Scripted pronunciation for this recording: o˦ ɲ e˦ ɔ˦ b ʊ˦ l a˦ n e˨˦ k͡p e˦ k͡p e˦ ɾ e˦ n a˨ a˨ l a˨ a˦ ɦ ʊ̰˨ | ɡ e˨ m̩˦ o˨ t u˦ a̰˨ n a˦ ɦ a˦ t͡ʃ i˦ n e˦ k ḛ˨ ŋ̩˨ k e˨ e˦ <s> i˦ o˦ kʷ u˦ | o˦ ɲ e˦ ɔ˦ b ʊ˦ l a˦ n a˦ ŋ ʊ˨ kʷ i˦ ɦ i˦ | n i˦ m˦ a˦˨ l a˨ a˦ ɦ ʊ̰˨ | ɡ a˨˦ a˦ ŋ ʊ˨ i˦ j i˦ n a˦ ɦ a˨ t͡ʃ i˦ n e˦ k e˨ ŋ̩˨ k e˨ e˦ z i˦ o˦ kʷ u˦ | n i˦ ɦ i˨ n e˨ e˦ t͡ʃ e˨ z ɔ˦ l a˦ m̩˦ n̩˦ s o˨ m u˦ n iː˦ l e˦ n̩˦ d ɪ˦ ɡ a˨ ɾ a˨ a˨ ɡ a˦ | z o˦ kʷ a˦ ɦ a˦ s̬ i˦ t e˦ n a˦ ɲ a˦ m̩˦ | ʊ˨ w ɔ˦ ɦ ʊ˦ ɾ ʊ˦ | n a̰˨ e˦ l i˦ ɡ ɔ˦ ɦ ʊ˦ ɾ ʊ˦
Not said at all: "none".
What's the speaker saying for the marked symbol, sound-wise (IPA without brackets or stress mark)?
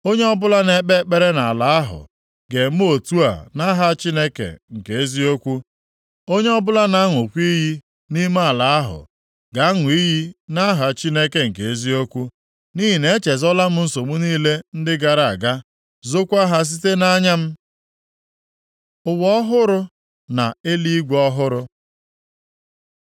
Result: z